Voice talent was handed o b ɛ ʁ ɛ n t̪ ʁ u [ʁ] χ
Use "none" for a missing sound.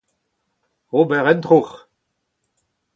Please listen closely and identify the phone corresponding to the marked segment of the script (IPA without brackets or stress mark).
none